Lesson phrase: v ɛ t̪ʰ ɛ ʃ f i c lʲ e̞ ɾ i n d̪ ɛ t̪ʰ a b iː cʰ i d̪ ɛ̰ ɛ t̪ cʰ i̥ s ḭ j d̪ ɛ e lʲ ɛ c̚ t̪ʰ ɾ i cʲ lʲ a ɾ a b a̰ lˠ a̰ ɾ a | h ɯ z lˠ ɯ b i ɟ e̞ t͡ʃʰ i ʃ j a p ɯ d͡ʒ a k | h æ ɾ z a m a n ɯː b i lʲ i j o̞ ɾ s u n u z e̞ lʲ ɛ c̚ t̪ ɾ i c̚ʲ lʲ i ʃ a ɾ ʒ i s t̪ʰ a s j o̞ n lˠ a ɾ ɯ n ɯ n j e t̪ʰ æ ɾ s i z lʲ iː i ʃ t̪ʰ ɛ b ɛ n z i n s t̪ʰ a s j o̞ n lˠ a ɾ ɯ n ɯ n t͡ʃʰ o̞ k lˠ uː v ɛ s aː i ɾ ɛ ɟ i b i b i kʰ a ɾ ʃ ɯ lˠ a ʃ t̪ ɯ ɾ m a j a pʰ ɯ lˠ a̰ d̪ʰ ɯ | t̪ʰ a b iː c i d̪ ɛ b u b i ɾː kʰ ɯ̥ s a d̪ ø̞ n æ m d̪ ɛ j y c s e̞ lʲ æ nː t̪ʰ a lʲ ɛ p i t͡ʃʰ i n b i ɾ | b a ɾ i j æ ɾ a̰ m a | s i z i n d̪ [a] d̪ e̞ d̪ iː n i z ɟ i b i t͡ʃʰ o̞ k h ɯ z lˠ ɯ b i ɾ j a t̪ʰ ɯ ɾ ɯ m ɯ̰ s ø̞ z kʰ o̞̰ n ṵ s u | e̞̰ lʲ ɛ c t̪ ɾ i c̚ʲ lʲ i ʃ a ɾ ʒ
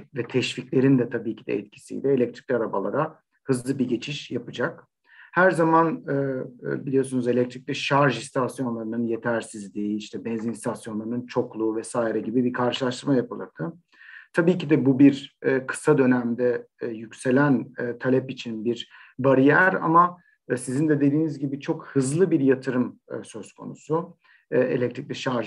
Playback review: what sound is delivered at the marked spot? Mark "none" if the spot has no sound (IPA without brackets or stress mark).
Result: ɛ